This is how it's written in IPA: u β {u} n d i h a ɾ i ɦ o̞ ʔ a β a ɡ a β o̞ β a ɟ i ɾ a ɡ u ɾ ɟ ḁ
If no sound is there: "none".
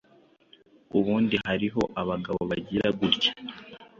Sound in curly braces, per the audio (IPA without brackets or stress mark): uː